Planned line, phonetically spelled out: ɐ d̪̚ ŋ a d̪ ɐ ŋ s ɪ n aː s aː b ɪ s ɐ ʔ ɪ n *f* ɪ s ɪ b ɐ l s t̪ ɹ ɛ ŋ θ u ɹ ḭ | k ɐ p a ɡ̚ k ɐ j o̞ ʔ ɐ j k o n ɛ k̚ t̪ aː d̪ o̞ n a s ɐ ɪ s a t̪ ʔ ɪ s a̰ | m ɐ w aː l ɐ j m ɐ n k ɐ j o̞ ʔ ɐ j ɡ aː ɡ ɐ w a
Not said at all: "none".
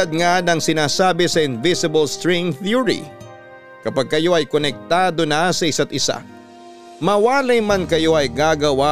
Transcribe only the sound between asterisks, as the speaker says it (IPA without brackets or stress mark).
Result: v